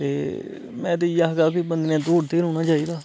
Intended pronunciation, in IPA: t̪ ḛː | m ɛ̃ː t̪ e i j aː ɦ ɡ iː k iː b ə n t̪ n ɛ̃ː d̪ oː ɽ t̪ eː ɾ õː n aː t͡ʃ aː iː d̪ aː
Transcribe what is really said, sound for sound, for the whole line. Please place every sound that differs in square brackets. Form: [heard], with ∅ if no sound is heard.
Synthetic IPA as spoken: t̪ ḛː | m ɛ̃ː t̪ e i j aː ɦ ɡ [aː] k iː b ə n [d̪] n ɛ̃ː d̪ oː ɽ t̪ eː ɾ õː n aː t͡ʃ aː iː d̪ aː